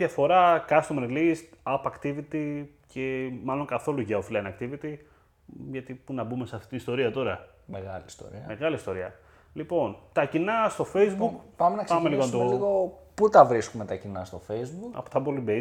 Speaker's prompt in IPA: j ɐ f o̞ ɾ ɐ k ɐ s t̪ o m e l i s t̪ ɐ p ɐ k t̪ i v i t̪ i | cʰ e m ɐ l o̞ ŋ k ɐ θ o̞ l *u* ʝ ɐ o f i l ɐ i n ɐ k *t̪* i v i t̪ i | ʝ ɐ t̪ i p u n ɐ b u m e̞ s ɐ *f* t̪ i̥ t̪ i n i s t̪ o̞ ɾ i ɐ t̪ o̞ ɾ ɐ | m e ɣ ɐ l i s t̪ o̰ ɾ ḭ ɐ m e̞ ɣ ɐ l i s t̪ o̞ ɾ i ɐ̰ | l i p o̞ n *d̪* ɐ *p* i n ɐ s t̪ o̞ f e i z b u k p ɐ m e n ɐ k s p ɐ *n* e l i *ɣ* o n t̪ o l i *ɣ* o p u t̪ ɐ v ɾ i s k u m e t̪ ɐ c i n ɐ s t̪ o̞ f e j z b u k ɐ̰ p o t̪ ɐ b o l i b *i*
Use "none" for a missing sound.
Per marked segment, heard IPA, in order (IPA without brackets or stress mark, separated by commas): u, t̪, f, t̪, c, m, ɣ, ɣ, e